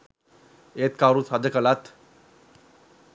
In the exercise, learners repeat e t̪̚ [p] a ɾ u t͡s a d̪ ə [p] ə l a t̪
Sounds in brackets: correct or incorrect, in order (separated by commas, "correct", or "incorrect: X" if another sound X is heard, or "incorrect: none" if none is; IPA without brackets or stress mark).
incorrect: k, incorrect: k